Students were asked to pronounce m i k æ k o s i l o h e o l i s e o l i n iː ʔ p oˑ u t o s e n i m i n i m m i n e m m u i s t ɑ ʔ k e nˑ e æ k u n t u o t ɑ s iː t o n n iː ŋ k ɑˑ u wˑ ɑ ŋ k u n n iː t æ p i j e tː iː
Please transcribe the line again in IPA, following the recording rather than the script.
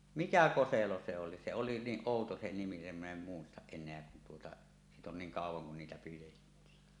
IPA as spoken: m i k æ k o s e l o s e o l i s e o l i n iː ʔ ʔ oˑ u t o s e n i m i n i m m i n e m m u i s t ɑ ʔ ʔ e nˑ e æ k u n t u o t ɑ s iː t o n n iː ŋ k ɑˑ u wˑ ɑ ŋ k u n n iː t æ p i j e tː iː